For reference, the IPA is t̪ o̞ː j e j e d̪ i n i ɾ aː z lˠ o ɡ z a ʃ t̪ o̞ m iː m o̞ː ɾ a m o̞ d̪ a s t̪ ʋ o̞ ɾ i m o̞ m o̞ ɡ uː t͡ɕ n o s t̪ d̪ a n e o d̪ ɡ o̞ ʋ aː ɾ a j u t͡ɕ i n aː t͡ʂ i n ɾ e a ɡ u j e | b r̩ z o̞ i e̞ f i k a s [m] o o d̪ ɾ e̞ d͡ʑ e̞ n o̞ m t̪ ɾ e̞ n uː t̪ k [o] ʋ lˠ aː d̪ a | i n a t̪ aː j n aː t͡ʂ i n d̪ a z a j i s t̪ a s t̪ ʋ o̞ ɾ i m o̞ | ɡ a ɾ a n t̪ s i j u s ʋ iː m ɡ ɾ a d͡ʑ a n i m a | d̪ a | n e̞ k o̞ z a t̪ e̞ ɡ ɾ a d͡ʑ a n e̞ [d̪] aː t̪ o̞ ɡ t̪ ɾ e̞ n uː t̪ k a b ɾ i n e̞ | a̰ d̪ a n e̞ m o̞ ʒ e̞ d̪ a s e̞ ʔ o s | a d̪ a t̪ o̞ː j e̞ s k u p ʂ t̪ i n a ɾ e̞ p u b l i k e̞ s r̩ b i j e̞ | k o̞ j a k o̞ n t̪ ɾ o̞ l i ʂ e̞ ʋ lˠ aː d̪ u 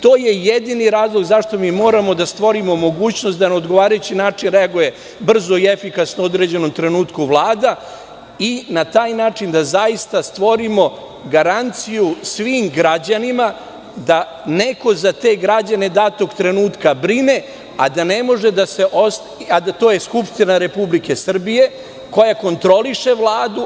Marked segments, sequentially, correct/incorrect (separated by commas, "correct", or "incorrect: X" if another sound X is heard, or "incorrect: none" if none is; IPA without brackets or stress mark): incorrect: n, incorrect: u, correct